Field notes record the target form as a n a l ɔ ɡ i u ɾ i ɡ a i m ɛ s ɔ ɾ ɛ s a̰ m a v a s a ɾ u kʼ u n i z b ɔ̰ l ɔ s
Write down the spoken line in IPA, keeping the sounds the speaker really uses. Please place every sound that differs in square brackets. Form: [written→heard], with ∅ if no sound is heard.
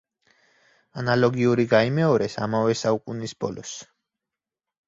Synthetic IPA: a n a l ɔ ɡ i u ɾ i ɡ a i m ɛ [s→∅] ɔ ɾ ɛ s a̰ m a v [a→ɛ] s a [ɾ→∅] u kʼ u n i [z→s] b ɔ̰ l ɔ s